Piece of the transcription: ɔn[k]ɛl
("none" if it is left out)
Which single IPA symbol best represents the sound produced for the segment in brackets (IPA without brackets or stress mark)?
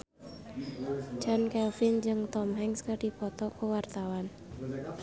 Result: k